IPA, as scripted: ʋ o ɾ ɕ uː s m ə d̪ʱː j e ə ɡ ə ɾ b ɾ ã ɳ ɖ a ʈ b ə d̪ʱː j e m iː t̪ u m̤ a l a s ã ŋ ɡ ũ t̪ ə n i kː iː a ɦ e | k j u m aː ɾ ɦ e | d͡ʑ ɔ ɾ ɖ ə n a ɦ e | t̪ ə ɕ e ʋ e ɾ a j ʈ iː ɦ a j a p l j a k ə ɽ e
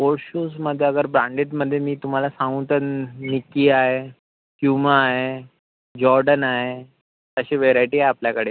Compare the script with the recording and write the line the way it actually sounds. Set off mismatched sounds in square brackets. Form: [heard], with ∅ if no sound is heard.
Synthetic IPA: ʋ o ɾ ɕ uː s m ə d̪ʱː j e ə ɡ ə ɾ b ɾ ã ɳ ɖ [e] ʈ [m] ə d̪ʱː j e m iː t̪ u m̤ a l a s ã ŋ ɡ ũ t̪ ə n i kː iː a ɦ e | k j u m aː [∅] ɦ e | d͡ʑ ɔ ɾ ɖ ə n a ɦ e | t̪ ə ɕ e ʋ e ɾ a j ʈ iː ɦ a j a p l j a k ə ɽ e